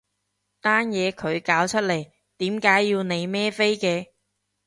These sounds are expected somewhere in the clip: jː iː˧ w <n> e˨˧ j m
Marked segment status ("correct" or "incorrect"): correct